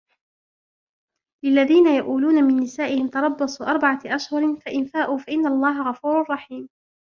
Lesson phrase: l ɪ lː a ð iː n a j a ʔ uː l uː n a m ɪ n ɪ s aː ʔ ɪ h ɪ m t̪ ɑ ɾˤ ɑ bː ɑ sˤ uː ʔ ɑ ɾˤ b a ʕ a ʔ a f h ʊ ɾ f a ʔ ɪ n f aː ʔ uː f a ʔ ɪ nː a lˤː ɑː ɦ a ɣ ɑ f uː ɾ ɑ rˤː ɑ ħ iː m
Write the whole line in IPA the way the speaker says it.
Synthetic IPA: l ɪ lː a ð iː n a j a ʔ uː l uː n a m ɪ nː ɪ s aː ʔ ɪ h ɪ m t̪ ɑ ɾˤ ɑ bː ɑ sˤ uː ʔ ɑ ɾˤ b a ʕ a ʔ a ʃ h ʊ ɾ f a ʔ ɪ n f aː ʔ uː f a ʔ ɪ nː a lˤː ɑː ɦ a ɣ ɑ f uː ɾ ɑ rˤː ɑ ħ iː m